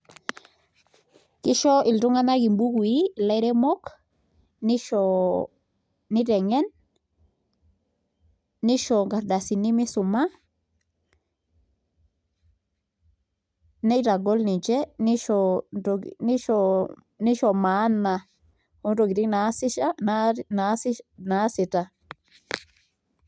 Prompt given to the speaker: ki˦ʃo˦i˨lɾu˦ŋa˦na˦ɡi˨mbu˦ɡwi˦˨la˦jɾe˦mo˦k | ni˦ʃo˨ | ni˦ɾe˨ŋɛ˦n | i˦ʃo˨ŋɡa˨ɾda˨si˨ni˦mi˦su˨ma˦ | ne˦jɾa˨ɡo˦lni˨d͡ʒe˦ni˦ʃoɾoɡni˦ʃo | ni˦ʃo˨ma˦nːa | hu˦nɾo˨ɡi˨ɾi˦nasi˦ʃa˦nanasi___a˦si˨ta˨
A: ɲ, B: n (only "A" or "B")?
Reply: B